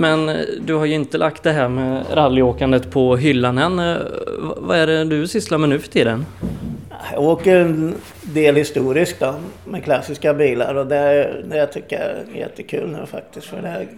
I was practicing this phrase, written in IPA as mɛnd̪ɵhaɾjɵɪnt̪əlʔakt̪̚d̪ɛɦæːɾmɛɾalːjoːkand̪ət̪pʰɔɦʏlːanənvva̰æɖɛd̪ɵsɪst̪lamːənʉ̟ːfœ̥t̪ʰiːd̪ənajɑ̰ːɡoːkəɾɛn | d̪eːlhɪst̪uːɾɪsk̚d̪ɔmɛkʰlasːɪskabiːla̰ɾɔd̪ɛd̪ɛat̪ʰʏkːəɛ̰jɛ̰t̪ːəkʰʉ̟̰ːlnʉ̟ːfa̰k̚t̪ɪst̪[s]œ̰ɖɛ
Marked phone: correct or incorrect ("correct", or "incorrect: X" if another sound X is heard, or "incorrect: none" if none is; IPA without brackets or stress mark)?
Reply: incorrect: f